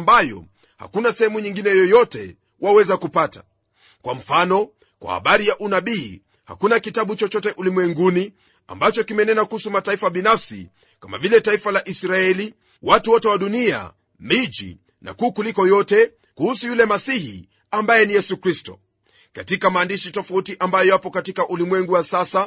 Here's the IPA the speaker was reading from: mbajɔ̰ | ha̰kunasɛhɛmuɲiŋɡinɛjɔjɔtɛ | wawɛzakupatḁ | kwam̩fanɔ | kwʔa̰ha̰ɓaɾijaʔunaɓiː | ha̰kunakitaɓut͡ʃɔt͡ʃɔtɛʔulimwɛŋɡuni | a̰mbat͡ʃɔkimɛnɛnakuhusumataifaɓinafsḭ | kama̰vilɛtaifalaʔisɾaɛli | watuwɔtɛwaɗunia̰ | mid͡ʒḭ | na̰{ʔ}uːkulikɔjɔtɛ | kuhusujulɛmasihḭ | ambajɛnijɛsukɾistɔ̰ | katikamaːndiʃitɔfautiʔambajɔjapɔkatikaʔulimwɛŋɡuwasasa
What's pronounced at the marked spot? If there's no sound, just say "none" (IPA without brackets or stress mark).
k